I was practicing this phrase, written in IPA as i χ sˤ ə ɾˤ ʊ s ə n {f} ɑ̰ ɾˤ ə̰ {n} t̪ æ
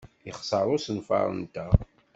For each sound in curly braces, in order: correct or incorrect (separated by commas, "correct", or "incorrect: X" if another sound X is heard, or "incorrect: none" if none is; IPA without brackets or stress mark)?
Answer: correct, correct